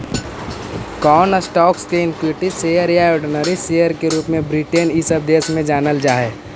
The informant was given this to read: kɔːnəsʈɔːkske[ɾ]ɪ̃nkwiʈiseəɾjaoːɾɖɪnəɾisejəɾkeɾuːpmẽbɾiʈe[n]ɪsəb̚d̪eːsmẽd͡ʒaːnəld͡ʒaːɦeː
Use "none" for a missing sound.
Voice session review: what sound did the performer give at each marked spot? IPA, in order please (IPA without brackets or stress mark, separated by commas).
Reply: none, n